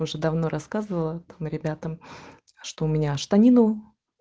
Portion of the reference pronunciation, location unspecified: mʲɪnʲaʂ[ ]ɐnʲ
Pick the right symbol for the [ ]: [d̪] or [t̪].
t̪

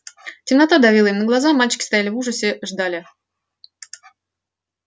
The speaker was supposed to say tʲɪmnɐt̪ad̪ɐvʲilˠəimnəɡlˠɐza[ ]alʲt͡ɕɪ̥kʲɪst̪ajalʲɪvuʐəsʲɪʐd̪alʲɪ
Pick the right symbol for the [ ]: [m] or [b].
m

